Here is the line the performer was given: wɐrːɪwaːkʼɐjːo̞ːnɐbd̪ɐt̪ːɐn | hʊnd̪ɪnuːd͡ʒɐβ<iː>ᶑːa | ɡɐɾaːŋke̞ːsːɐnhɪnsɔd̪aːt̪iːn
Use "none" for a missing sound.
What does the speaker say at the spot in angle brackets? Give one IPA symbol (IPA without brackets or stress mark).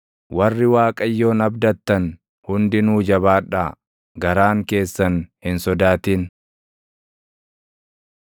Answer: aː